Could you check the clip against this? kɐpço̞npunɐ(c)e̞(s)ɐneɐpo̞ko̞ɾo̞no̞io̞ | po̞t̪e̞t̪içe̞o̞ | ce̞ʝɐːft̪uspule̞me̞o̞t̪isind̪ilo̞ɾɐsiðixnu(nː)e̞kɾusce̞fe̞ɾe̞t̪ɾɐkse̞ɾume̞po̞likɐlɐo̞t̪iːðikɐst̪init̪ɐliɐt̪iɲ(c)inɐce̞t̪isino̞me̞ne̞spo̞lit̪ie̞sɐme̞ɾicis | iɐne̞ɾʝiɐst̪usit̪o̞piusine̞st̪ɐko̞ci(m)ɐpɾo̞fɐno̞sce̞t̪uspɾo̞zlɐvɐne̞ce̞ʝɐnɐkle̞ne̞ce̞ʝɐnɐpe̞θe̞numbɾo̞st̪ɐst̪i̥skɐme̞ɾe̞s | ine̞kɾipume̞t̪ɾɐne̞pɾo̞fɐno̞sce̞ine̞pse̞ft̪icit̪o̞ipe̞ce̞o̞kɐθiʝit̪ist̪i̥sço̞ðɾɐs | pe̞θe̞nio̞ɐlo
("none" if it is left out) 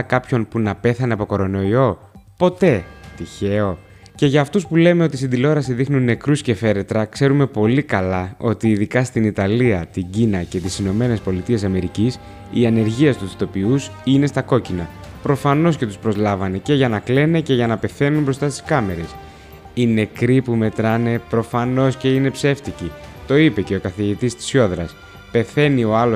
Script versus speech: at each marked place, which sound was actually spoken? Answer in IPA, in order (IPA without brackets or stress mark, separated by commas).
p, θ, nː, ɟ, n